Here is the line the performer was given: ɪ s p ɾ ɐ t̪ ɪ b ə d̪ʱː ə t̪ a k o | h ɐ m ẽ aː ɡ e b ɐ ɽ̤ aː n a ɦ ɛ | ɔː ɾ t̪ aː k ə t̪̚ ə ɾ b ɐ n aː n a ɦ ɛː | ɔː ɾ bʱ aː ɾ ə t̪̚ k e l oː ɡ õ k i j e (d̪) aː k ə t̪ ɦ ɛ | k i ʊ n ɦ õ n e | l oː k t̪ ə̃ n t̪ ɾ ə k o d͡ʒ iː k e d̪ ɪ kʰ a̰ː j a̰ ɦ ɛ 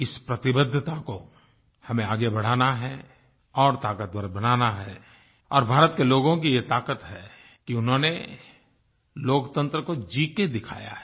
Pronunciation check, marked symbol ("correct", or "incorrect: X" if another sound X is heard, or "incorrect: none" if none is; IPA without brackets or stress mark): incorrect: t̪